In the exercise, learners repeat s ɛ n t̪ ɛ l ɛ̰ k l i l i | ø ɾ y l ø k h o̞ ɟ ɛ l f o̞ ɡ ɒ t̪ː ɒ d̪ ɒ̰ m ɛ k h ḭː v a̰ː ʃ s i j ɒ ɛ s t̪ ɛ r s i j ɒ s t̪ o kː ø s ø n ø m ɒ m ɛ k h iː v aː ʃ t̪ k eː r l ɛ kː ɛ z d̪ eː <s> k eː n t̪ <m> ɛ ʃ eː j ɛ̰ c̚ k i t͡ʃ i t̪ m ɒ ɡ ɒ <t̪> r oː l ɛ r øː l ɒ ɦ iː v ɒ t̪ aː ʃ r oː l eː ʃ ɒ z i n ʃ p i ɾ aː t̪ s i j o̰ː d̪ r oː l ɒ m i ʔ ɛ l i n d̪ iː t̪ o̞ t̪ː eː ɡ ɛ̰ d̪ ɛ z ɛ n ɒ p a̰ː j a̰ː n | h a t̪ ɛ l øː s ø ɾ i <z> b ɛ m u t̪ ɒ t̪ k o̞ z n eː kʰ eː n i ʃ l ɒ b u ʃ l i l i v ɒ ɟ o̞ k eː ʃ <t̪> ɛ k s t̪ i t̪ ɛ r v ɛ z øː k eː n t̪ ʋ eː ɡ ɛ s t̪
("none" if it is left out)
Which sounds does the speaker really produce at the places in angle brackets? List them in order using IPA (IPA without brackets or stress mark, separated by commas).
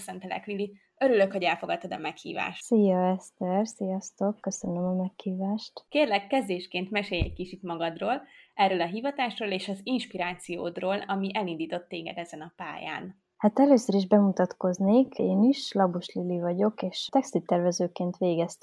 ʃ, m, d̪, ʒ, t̪